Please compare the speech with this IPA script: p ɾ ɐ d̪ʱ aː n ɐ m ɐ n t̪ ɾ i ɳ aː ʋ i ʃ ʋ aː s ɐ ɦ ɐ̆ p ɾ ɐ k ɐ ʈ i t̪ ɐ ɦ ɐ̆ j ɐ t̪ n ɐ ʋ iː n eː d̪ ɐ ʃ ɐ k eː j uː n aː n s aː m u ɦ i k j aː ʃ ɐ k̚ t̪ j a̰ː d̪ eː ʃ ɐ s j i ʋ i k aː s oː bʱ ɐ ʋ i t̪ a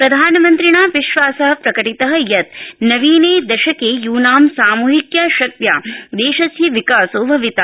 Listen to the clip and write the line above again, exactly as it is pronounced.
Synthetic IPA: p ɾ ɐ d̪ʱ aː n ɐ m ɐ n t̪ ɾ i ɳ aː ʋ i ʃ ʋ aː s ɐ ɦ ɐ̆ p ɾ ɐ k ɐ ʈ i t̪ ɐ ɦ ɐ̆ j ɐ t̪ n ɐ ʋ iː n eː d̪ ɐ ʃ ɐ k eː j uː n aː m s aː m uː ɦ i k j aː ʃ ɐ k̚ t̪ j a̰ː d̪ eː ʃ ɐ s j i ʋ i k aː s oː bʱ ɐ ʋ i t̪ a

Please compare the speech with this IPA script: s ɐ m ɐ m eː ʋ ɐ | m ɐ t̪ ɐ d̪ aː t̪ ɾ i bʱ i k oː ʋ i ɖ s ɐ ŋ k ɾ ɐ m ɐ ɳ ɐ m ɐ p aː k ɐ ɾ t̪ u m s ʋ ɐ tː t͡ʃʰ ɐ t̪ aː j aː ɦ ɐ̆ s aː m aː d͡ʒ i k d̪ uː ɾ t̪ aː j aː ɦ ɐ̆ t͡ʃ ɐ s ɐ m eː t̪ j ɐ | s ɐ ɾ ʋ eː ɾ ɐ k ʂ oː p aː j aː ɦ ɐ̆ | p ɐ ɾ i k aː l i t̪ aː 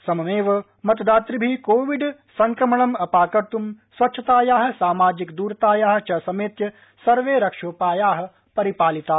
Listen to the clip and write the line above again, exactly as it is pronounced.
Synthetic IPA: s ɐ m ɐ m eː ʋ ɐ | m ɐ t̪ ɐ d̪ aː t̪ ɾ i bʱ i k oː ʋ i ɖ s ɐ ŋ k ɾ ɐ m ɐ ɳ ɐ m ɐ p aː k ɐ ɾ t̪ u m s ʋ ɐ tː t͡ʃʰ ɐ t̪ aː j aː ɦ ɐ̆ s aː m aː d͡ʒ i k d̪ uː ɾ t̪ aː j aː ɦ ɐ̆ t͡ʃ ɐ s ɐ m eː t̪ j ɐ | s ɐ ɾ ʋ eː ɾ ɐ k ʂ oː p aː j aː ɦ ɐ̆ | p ɐ ɾ i p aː l i t̪ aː

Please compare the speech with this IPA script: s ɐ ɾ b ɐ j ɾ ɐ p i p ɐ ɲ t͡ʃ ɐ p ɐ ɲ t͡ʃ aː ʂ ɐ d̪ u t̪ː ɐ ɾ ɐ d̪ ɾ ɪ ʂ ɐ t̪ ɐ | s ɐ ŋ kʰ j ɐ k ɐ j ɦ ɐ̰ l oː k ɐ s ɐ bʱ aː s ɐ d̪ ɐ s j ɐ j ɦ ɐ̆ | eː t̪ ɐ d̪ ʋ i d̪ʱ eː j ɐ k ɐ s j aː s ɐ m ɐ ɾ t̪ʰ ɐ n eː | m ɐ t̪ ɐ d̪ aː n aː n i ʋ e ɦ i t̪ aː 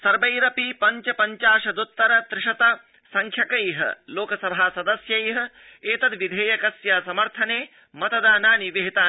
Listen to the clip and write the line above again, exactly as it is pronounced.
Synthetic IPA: s ɐ ɾ b ɐ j ɾ ɐ p i p ɐ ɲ t͡ʃ ɐ p ɐ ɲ t͡ʃ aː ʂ ɐ d̪ u t̪ː ɐ ɾ ɐ t̪ ɾ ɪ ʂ ɐ t̪ ɐ | s ɐ ŋ kʰ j ɐ k ɐ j ɦ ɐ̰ l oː k ɐ s ɐ bʱ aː s ɐ d̪ ɐ s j ɐ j ɦ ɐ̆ | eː t̪ ɐ d̪ ʋ i d̪ʱ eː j ɐ k ɐ s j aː s ɐ m ɐ ɾ t̪ʰ ɐ n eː | m ɐ t̪ ɐ d̪ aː n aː n i ʋ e ɦ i t̪ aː

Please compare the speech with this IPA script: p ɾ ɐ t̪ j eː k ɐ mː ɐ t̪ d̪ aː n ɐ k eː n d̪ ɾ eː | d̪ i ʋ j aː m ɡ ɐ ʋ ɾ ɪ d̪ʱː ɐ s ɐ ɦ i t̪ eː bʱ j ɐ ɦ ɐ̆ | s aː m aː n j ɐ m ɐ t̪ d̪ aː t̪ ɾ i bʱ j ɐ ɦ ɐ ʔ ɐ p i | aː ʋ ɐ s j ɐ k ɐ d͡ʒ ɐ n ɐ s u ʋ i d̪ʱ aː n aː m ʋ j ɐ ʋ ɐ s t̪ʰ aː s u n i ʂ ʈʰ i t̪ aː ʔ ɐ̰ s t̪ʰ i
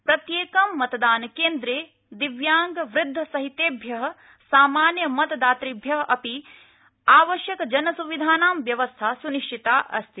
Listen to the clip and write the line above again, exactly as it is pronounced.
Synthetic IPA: p ɾ ɐ t̪ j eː k ɐ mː ɐ t̪ d̪ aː n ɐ k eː n d̪ ɾ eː | d̪ i ʋ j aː ŋ ɡ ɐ ʋ ɾ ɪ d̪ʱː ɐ s ɐ ɦ i t̪ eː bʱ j ɐ ɦ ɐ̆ | s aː m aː n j ɐ m ɐ t̪ d̪ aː t̪ ɾ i bʱ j ɐ ɦ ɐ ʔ ɐ p i | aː ʋ ɐ ʃ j ɐ k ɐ d͡ʒ ɐ n ɐ s u ʋ i d̪ʱ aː n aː m ʋ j ɐ ʋ ɐ s t̪ʰ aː s u n i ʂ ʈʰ i t̪ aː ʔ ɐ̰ s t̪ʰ i

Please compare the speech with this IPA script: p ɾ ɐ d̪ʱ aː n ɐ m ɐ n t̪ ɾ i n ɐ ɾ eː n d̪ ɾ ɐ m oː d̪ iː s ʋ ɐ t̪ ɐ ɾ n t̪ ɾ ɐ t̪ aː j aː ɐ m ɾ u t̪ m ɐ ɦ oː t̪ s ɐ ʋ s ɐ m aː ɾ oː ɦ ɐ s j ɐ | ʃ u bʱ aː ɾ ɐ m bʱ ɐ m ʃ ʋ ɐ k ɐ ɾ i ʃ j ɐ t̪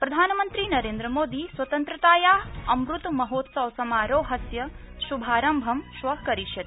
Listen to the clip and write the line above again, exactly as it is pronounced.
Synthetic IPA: p ɾ ɐ d̪ʱ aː n ɐ m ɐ n t̪ ɾ i n ɐ ɾ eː n d̪ ɾ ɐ m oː d̪ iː s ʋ ɐ t̪ ɐ n t̪ ɾ ɐ t̪ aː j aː ɐ m ɾ u t̪ m ɐ ɦ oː t̪ s ɐ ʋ s ɐ m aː ɾ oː ɦ ɐ s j ɐ | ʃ u bʱ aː ɾ ɐ m bʱ ɐ m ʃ ʋ ɐ k ɐ ɾ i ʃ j ɐ t̪

